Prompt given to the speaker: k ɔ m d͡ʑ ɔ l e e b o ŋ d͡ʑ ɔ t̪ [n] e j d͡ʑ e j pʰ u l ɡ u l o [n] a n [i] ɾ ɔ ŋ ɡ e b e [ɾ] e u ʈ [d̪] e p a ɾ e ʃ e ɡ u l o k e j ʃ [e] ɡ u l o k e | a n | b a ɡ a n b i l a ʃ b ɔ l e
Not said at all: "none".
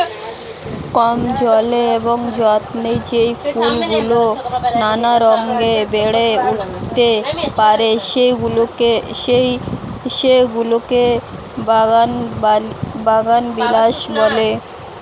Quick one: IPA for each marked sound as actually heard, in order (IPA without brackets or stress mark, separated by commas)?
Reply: n, n, a, ɽ, t̪, e